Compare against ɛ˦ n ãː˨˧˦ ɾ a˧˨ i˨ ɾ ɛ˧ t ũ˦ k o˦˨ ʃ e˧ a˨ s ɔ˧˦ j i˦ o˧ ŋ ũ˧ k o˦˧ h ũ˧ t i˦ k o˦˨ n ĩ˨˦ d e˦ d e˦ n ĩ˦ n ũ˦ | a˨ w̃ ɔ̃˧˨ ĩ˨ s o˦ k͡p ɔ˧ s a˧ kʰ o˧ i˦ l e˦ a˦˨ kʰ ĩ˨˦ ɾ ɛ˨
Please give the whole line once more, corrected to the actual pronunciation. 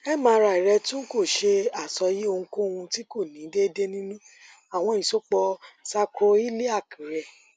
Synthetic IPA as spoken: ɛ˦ m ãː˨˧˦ ɾ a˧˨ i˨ ɾ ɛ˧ t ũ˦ k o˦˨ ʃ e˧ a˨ s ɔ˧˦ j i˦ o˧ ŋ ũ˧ k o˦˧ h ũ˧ t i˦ k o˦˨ n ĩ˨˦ d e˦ d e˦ n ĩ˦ n ũ˦ | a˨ w̃ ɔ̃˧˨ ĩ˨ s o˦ k͡p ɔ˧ s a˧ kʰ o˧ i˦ l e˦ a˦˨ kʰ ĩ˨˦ ɾ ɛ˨

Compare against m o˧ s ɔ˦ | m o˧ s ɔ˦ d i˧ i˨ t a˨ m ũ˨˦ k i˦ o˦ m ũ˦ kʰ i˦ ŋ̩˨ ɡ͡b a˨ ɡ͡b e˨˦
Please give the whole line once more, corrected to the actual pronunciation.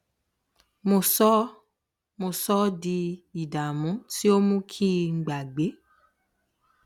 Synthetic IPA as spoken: m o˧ s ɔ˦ | m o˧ s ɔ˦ d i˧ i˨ d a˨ m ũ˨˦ t i˦ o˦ m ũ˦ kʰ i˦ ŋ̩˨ ɡ͡b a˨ ɡ͡b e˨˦

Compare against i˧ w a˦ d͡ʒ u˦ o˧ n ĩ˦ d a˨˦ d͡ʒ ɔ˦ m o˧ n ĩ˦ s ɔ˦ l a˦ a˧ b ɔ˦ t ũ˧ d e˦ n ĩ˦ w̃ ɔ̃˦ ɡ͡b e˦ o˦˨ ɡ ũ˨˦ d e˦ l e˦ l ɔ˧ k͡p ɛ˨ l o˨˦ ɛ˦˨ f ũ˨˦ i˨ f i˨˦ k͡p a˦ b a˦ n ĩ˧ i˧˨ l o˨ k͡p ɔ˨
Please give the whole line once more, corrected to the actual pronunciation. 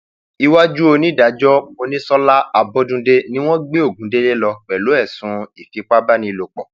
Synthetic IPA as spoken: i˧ w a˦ d͡ʒ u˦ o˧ n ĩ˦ d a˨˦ d͡ʒ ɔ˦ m o˧ n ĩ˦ s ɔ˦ l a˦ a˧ b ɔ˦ d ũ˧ d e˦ n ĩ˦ w̃ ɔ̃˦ ɡ͡b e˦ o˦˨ ɡ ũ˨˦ d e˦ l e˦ l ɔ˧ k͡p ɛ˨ l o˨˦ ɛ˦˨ s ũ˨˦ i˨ f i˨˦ k͡p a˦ b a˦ n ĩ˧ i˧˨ l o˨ k͡p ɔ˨

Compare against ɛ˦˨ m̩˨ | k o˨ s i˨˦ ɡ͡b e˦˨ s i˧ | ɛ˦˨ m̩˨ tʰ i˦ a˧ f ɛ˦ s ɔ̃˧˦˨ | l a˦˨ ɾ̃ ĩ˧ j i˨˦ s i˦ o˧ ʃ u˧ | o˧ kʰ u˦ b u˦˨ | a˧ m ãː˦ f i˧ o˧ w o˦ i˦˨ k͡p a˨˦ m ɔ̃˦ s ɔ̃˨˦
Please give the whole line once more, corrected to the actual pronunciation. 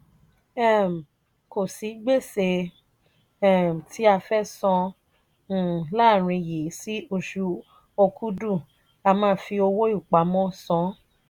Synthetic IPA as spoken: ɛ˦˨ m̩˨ | k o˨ s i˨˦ ɡ͡b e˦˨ s e˧ | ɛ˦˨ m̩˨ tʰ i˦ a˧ f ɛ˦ s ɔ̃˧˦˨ | l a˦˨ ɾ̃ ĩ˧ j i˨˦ s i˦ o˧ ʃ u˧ | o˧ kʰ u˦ d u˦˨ | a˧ m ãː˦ f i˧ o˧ w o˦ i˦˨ k͡p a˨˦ m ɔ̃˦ s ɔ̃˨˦

